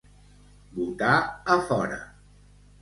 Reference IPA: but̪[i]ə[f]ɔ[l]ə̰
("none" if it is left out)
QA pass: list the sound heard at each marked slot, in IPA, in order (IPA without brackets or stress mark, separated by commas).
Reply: a, f, ɾ